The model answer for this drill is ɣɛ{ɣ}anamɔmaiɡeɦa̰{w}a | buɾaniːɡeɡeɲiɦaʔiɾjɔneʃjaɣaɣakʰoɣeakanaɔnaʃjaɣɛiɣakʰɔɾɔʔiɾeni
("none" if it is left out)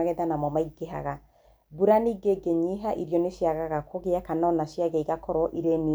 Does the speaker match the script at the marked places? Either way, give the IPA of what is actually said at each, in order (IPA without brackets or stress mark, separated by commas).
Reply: ð, ɣ